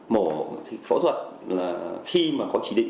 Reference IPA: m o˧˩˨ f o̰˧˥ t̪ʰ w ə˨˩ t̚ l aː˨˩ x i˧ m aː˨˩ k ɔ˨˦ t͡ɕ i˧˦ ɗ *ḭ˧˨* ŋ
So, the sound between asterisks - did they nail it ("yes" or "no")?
yes